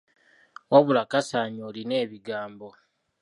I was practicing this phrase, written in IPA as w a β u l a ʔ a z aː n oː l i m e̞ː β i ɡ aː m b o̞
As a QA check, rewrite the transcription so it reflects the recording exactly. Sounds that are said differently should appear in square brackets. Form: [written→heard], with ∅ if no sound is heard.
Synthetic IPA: w a β u l a [ʔ→k] a [z→s] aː [n→ɲ] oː l i [m→n] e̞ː β i ɡ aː m b o̞